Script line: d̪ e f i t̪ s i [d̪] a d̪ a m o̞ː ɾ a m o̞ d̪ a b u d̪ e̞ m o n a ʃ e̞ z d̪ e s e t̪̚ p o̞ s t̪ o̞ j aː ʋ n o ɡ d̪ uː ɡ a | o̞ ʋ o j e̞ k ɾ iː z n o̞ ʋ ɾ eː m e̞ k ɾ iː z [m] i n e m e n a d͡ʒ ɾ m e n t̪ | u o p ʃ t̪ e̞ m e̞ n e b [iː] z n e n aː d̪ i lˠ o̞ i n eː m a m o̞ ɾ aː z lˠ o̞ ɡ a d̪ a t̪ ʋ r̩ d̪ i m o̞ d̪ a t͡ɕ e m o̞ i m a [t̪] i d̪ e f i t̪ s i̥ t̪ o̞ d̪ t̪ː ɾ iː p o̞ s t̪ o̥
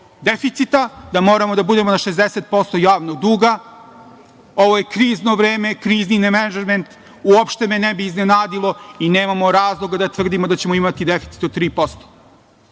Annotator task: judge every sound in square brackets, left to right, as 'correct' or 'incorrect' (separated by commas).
incorrect, incorrect, correct, correct